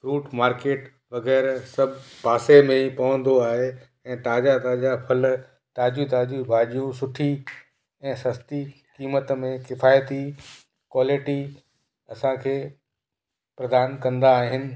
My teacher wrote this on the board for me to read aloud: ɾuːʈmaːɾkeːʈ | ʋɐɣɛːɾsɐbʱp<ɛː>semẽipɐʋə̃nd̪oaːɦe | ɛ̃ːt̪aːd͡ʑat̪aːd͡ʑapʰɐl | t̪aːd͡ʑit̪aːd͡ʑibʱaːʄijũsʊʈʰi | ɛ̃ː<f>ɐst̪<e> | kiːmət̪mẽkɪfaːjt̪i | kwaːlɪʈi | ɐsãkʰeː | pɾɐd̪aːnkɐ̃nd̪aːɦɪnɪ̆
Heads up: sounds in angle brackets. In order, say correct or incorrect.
incorrect, incorrect, incorrect

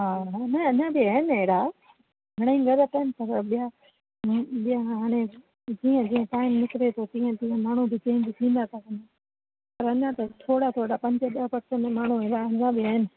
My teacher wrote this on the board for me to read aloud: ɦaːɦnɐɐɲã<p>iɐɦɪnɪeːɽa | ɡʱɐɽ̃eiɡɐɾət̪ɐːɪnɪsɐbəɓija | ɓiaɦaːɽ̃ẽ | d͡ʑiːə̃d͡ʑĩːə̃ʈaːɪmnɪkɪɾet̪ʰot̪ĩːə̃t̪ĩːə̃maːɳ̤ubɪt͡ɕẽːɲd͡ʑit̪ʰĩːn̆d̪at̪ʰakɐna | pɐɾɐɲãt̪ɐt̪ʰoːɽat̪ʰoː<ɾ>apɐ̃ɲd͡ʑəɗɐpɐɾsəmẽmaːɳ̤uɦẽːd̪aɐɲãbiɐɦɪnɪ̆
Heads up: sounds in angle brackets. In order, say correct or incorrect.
incorrect, incorrect

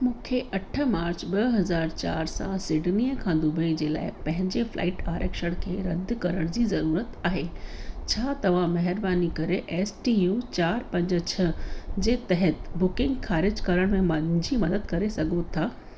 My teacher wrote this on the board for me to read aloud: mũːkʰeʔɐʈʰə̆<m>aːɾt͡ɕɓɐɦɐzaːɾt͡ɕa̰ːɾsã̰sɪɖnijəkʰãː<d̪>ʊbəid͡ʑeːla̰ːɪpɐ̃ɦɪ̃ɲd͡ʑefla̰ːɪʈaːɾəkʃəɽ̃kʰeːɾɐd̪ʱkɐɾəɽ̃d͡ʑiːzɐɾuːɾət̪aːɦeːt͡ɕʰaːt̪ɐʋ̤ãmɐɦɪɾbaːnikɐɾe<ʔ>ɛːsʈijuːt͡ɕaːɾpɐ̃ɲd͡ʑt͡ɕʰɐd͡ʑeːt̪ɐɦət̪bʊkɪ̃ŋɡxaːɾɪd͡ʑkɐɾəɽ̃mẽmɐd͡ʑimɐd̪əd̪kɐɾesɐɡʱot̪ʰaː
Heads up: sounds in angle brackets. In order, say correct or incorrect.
correct, correct, correct

